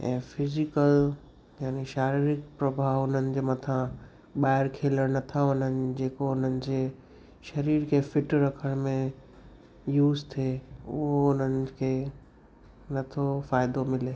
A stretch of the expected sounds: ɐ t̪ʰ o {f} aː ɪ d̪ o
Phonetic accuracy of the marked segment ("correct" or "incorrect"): correct